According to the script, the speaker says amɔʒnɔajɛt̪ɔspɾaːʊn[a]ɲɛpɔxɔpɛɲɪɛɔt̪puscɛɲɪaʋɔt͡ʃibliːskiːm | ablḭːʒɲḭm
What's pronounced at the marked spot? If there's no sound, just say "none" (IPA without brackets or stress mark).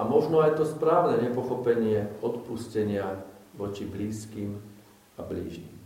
ɛ